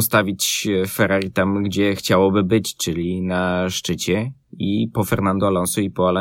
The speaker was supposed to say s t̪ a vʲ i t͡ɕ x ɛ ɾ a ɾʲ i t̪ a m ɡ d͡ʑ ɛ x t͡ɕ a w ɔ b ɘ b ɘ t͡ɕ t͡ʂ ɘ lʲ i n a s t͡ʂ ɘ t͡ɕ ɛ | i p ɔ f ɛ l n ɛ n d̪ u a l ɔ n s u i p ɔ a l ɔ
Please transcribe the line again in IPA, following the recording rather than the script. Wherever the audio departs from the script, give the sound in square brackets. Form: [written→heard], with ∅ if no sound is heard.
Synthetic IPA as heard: s t̪ a vʲ i t͡ɕ [x→f] ɛ ɾ a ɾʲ i t̪ a m ɡ d͡ʑ ɛ x t͡ɕ a w ɔ b ɘ b ɘ t͡ɕ t͡ʂ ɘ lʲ i n a [s→ʂ] t͡ʂ ɘ t͡ɕ ɛ | i p ɔ f ɛ [l→ɾ] n [ɛ→a] n d̪ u a l ɔ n s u i p ɔ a l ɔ